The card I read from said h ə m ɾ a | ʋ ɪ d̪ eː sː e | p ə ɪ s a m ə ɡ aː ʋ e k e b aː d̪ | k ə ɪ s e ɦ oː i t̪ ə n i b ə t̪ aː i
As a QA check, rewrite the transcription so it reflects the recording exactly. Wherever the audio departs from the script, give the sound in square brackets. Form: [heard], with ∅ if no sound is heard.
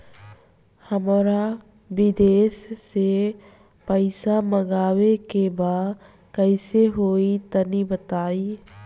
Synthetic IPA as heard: h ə m ɾ a | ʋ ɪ d̪ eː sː e | p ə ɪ s a m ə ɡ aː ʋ e k e b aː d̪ | k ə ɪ s e ɦ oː i t̪ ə n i b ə t̪ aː i